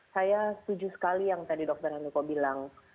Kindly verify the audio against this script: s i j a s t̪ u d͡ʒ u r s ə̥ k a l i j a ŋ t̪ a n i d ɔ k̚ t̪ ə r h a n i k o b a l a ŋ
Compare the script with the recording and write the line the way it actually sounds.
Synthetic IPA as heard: s a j a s t̪ u d͡ʒ u s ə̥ k a l i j a ŋ t̪ a d i d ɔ k̚ t̪ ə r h a n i k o b i l a ŋ